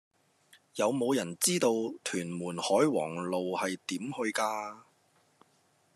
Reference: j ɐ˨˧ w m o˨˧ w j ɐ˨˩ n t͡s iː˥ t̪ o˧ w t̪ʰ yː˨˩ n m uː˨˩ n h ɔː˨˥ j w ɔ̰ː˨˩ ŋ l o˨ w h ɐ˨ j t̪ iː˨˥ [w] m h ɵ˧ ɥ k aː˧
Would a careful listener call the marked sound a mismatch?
yes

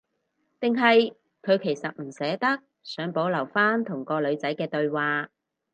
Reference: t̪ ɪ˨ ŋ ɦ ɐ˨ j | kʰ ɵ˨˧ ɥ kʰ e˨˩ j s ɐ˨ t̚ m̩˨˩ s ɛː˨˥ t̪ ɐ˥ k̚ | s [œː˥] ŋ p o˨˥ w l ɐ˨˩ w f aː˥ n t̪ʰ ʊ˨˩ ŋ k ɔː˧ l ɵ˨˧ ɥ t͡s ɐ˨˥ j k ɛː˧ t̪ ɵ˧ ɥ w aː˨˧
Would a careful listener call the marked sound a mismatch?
yes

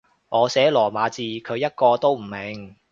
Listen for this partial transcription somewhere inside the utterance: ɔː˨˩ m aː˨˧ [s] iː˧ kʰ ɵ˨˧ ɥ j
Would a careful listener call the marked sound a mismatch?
yes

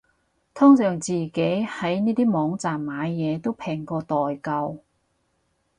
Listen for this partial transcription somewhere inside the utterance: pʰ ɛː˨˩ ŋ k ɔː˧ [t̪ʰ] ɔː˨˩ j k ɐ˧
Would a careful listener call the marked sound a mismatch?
yes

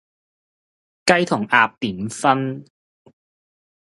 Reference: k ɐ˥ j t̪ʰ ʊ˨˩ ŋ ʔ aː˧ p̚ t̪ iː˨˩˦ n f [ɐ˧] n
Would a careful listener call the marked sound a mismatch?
yes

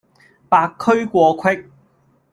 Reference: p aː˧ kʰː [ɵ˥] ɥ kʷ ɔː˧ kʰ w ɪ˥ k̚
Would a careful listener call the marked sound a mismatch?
no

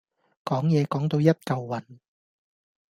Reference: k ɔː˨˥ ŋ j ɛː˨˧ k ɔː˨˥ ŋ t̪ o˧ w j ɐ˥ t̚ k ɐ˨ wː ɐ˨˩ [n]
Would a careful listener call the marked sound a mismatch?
no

